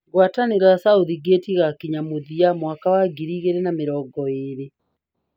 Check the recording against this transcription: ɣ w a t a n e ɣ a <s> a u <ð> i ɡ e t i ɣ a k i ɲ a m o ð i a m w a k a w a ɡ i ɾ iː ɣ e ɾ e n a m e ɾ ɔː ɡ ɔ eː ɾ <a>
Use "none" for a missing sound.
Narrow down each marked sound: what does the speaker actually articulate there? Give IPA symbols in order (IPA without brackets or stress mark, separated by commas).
s, ð, e